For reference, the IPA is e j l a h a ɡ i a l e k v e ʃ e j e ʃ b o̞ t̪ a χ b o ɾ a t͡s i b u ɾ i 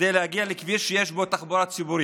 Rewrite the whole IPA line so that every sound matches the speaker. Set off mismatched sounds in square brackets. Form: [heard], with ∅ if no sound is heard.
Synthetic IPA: e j l [e] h a ɡ i a l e k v [i] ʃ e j e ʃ b o̞ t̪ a χ b o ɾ a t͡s i b u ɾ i

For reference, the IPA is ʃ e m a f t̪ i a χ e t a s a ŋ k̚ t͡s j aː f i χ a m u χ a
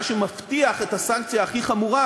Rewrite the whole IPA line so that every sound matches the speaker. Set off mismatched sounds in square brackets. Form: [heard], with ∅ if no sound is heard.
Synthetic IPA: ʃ e m a f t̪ i a χ e t a s a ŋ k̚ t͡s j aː [χ] i χ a m u [ʁ] a

